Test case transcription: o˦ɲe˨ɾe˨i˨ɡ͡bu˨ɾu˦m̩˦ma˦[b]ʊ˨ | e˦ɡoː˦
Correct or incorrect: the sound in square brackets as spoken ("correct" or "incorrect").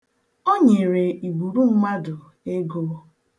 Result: incorrect